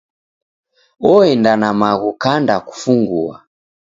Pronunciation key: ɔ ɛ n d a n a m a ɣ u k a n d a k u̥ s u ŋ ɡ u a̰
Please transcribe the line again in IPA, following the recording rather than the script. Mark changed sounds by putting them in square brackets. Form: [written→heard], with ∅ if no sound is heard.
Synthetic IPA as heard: ɔ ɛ n d a n a m a ɣ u k a n d a k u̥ [s→f] u ŋ ɡ u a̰

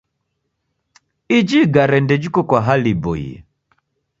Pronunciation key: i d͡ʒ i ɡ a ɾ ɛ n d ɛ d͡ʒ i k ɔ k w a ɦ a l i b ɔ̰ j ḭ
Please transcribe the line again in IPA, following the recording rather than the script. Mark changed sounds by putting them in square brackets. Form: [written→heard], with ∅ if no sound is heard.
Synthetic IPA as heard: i d͡ʒ i ɡ a ɾ ɛ n d ɛ d͡ʒ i k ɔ k w a ɦ a l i b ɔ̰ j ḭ

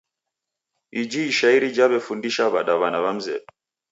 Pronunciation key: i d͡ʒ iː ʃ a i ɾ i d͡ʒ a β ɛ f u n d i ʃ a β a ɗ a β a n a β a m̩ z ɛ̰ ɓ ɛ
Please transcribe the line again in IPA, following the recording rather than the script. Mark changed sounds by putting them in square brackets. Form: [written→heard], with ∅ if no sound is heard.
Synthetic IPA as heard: i d͡ʒ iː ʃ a i ɾ i d͡ʒ a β ɛ f u n d i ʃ a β a ɗ a β a n a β a m̩ z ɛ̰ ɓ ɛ

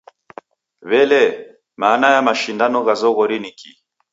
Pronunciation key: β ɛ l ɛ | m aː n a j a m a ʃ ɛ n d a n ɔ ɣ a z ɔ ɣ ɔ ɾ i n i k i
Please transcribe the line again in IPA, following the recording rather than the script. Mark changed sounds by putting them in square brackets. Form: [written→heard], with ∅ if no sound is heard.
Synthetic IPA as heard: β ɛ l ɛ | m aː n a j a m a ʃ [ɛ→i] n d a n ɔ ɣ a z ɔ ɣ ɔ ɾ i n i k i

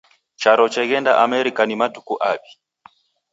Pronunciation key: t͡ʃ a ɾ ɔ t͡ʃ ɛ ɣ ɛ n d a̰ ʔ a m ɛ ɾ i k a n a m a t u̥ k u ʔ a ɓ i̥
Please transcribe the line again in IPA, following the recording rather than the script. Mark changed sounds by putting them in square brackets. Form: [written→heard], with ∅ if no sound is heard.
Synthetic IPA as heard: t͡ʃ a ɾ ɔ t͡ʃ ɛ ɣ ɛ n d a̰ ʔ a m ɛ ɾ i k a n [a→i] m a t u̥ k u ʔ a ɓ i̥

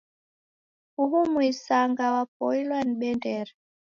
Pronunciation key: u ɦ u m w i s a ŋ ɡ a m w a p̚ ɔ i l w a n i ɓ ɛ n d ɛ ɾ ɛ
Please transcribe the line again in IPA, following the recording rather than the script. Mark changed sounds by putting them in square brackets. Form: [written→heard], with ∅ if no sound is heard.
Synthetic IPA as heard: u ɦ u m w i s a ŋ ɡ a [m→∅] w a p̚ ɔ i l w a n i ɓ ɛ n d ɛ ɾ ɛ

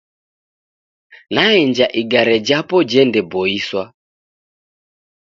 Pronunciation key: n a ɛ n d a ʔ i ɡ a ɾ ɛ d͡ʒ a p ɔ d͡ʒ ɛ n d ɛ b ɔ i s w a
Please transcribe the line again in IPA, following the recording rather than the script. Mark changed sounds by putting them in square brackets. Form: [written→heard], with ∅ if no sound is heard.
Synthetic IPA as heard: n a ɛ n [d→d͡ʒ] a ʔ i ɡ a ɾ ɛ d͡ʒ a p ɔ d͡ʒ ɛ n d ɛ b ɔ i s w a

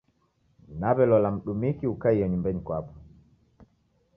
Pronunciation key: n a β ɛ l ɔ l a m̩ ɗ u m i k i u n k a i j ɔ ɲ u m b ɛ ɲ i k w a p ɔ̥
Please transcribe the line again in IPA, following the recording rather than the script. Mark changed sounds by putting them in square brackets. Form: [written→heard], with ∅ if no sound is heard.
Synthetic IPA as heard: n a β ɛ l ɔ l a m̩ ɗ u m i k i u [n→∅] k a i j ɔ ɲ u m b ɛ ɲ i k w a p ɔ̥

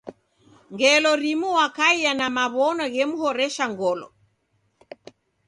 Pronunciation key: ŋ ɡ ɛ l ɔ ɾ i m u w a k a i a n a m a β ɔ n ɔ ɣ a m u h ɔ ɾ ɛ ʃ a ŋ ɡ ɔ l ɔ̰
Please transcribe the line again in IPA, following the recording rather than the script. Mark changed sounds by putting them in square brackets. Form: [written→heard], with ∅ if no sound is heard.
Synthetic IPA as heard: ŋ ɡ ɛ l ɔ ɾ i m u w a k a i a n a m a β ɔ n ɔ ɣ [a→ɛ] m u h ɔ ɾ ɛ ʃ a ŋ ɡ ɔ l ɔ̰

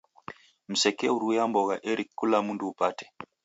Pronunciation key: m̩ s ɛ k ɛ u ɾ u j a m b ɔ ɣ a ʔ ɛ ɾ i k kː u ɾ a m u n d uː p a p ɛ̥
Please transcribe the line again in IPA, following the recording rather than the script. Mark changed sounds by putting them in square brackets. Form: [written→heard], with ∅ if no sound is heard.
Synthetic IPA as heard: m̩ s ɛ k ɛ u ɾ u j a m b ɔ ɣ a ʔ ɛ ɾ i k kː u [ɾ→l] a m u n d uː p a [p→t] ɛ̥

